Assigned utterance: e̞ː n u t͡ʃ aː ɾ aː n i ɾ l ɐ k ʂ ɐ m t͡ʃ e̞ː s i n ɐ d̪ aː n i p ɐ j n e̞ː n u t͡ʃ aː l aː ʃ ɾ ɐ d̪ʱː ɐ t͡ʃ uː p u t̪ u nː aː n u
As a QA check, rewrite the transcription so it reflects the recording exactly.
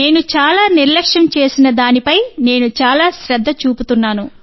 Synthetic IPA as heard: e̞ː n u t͡ʃ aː l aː n i ɾ l ɐ k ʂ ɐ m t͡ʃ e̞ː s i n ɐ d̪ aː n i p ɐ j n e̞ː n u t͡ʃ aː l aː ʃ ɾ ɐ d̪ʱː ɐ t͡ʃ uː p u t̪ u nː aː n u